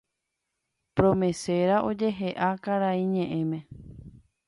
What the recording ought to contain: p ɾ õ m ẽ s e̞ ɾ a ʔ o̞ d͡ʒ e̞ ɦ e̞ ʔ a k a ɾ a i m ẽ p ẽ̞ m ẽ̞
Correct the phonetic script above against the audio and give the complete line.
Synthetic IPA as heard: p ɾ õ m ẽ s e̞ ɾ a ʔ o̞ d͡ʒ e̞ ɦ e̞ ʔ a k a ɾ a i ɲ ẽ ʔ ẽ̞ m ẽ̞